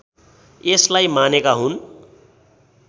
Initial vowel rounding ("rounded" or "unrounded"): unrounded